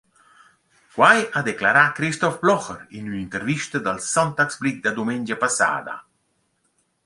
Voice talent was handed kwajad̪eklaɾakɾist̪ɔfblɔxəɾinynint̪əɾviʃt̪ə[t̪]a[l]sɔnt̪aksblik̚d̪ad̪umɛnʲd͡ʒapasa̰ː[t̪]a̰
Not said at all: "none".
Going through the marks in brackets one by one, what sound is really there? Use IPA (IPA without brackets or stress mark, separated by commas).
d̪, l, d̪